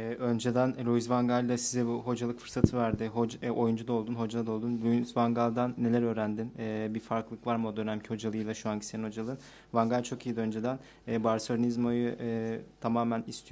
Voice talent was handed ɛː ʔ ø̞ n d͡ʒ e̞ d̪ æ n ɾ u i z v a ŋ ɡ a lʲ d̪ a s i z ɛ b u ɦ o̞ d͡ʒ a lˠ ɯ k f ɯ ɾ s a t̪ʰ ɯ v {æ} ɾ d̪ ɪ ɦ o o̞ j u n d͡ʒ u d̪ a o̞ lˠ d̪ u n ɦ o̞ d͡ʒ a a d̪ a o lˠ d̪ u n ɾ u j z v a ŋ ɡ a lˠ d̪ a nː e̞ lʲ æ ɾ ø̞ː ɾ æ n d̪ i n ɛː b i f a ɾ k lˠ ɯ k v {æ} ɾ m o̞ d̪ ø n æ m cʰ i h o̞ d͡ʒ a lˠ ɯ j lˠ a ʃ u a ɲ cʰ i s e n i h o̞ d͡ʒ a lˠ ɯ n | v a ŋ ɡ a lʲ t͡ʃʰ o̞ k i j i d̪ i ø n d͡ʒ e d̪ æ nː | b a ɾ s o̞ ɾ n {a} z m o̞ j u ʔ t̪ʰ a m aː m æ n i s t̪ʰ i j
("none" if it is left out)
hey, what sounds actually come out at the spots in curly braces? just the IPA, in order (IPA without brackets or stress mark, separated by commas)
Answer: æ, a, i